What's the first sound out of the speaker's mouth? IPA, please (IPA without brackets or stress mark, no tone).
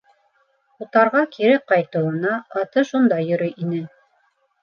u